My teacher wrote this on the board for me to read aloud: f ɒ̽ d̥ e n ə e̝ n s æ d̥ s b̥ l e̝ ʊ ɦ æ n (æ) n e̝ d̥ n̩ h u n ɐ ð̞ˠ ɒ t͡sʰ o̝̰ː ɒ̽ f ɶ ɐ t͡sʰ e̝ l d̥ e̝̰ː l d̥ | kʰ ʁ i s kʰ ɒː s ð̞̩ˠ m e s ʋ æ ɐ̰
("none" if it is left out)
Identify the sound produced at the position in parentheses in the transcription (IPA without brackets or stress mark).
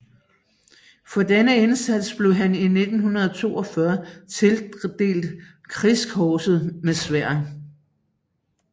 i